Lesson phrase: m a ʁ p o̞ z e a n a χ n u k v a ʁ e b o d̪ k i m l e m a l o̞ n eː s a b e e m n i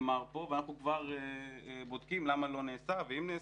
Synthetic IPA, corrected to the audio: m a ʁ p o̞ v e a n a χ n u k v a ʁ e b o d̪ k i m l a m a l o̞ n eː s a v e i m n e